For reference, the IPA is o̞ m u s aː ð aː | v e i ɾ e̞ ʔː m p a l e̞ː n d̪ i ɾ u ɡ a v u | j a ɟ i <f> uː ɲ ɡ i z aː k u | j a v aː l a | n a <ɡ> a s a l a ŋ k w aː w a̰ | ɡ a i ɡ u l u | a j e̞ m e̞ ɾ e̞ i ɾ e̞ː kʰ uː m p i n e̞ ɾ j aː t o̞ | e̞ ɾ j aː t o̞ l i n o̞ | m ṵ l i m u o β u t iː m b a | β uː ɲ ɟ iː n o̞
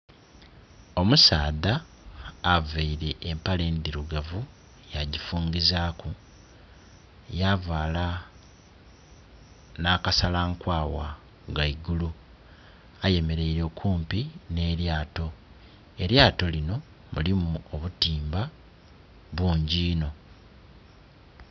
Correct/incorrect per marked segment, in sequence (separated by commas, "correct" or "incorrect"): correct, incorrect